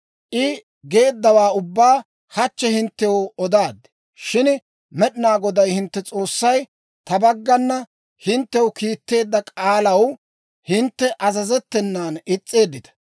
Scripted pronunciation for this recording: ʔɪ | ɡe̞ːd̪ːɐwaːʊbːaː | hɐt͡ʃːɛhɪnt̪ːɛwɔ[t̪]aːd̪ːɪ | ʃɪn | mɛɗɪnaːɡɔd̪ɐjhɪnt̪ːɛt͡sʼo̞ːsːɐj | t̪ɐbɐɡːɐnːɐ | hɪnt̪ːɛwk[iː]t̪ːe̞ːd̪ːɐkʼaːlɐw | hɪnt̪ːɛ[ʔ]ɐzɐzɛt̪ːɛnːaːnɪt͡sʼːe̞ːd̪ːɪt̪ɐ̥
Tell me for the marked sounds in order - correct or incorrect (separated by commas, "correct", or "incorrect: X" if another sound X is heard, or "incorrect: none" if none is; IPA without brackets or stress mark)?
incorrect: d̪, correct, correct